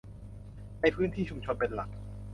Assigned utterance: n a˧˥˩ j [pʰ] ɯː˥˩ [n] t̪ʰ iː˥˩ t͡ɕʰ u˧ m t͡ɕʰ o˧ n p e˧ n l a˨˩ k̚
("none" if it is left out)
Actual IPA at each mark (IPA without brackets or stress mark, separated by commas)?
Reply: pʰ, n